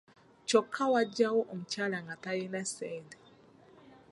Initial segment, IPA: t͡ʃ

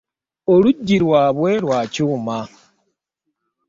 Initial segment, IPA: o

